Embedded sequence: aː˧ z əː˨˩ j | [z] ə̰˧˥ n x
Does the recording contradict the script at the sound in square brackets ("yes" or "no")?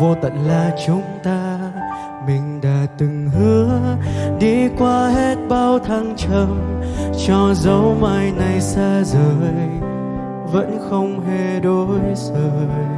yes